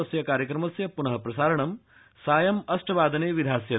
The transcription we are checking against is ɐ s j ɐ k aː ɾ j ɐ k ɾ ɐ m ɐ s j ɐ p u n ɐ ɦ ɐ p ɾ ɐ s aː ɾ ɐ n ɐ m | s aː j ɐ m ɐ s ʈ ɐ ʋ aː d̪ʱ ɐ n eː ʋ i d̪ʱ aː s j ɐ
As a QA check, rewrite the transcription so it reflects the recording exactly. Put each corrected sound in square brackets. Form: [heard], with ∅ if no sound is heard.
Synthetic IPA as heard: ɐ s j ɐ k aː ɾ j ɐ k ɾ ɐ m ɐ s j ɐ p u n ɐ ɦ ɐ p ɾ ɐ s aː ɾ ɐ [ɳ] ɐ m | s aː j ɐ m ɐ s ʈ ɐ ʋ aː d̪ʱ ɐ n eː ʋ i d̪ʱ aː s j ɐ